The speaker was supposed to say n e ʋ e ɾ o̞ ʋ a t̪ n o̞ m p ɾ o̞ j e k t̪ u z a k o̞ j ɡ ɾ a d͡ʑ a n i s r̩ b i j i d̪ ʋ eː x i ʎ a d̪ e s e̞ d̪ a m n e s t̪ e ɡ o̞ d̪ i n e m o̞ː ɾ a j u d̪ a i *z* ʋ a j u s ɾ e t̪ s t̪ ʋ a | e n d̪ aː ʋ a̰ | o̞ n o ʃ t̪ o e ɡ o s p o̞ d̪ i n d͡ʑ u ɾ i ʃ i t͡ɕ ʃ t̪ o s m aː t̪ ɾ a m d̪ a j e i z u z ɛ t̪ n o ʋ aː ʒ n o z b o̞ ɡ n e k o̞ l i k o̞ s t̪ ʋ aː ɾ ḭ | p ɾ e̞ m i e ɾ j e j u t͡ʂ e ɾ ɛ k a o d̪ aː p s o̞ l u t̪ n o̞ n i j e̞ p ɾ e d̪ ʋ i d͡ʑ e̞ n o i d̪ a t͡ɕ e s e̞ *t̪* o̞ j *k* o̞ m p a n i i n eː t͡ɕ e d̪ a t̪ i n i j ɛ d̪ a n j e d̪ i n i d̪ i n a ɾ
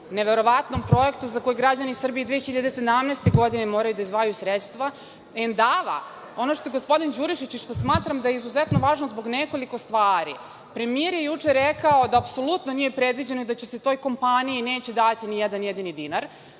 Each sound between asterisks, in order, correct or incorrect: correct, correct, correct

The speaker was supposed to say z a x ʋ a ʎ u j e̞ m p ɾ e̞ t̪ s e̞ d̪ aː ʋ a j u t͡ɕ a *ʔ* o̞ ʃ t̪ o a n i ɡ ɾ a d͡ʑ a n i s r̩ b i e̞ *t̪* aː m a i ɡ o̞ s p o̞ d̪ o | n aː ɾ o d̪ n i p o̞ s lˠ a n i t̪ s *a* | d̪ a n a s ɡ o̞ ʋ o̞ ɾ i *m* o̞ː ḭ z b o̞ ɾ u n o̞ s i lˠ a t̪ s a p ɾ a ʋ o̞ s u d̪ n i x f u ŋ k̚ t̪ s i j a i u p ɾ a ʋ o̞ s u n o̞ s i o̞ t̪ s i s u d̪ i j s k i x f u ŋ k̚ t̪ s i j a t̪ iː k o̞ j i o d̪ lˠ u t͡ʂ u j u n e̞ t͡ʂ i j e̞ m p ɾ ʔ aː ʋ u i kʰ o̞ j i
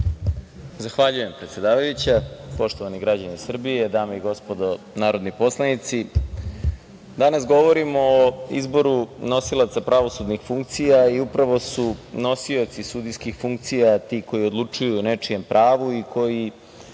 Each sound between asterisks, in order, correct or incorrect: incorrect, incorrect, incorrect, correct

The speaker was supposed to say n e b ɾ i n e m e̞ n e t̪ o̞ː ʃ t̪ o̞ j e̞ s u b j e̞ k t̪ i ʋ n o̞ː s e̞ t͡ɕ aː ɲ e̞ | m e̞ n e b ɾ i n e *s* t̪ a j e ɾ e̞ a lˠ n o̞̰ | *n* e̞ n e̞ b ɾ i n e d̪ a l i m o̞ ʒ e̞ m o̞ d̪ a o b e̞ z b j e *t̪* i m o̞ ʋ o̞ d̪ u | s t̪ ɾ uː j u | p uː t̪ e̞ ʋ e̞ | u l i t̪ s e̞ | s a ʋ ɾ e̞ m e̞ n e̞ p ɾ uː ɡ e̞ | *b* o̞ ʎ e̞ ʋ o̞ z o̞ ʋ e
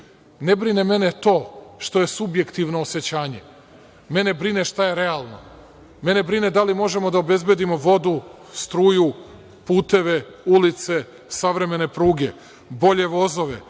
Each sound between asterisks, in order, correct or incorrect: incorrect, incorrect, incorrect, correct

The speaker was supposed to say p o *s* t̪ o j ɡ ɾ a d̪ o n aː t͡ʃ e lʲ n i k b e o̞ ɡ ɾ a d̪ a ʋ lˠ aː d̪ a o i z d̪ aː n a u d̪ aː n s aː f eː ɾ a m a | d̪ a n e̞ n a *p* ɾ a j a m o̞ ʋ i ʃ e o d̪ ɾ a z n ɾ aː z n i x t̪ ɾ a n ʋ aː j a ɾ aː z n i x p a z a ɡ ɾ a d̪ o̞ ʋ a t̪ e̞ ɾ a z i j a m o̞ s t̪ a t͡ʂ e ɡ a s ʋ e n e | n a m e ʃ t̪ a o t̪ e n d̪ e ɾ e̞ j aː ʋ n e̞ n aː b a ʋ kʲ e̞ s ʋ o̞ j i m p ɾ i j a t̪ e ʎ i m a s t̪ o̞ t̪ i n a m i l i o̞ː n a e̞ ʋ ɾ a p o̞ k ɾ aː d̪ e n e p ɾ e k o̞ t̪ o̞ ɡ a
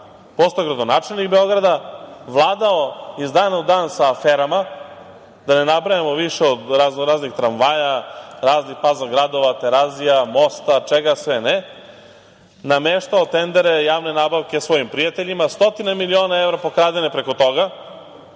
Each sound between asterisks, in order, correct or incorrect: correct, incorrect

